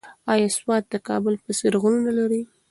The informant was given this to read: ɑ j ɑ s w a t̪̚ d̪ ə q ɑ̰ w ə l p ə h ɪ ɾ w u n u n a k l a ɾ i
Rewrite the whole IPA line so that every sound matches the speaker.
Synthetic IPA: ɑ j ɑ s w ɑ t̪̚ d̪ ə k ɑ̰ b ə l p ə s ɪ ɾ ɣ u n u n a l a ɾ i